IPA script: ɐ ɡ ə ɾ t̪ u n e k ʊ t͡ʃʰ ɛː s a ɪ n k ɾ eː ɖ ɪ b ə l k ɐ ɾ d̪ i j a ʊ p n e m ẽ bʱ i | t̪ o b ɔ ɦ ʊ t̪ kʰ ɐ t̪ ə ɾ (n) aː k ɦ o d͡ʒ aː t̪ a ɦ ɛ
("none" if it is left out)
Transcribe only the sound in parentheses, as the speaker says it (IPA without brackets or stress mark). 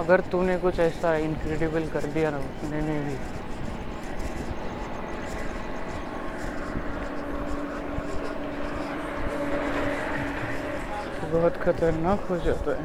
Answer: n